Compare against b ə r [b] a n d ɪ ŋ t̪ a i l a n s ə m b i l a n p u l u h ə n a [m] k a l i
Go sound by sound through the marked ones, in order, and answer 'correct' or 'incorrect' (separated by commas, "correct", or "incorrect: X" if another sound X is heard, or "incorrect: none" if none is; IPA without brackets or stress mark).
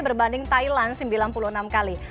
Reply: correct, correct